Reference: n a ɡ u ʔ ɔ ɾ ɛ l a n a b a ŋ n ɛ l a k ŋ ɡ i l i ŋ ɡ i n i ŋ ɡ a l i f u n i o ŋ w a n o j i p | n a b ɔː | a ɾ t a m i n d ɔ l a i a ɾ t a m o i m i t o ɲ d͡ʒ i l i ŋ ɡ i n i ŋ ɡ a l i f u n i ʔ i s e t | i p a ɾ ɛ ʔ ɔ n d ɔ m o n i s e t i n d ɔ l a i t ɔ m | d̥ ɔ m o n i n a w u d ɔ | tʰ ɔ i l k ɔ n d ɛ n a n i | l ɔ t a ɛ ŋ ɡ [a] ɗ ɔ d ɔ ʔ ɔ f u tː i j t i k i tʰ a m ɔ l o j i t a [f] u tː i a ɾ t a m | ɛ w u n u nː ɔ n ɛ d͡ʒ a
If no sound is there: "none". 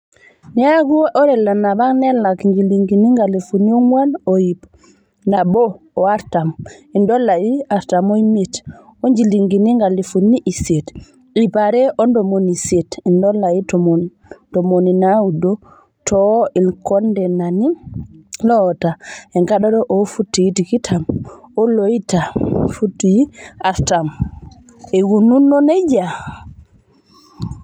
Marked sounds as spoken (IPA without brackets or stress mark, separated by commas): a, f